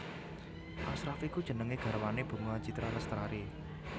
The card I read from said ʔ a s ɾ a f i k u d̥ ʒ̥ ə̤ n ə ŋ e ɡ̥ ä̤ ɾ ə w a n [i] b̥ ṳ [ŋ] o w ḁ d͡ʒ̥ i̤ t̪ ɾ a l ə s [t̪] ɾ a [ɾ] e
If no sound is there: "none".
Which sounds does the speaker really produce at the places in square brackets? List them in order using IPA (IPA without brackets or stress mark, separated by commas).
e, ŋ, t̪, ɾ